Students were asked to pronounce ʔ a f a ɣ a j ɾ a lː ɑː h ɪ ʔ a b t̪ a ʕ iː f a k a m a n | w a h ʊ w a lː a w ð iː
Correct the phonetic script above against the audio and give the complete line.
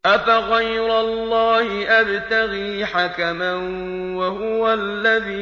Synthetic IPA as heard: ʔ a f a ɣ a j ɾ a lː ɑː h ɪ ʔ a b t̪ a ɣ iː ħ a k a m a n | w a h ʊ w a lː a ð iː